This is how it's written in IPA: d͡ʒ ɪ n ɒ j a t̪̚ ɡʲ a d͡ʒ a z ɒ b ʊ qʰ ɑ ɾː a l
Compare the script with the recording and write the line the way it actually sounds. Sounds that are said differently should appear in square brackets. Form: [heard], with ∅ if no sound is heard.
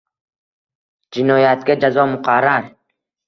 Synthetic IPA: d͡ʒ ɪ n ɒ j a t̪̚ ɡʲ a d͡ʒ a z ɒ [m] ʊ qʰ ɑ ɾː a [ɾ]